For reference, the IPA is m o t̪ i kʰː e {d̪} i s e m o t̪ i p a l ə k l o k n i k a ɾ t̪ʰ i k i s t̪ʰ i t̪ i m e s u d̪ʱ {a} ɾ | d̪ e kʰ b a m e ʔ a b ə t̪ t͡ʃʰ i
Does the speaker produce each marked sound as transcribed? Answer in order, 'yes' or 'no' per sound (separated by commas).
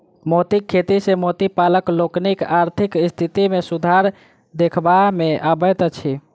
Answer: no, yes